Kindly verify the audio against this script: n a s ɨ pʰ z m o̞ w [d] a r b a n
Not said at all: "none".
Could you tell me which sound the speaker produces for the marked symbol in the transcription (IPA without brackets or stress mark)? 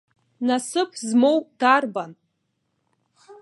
d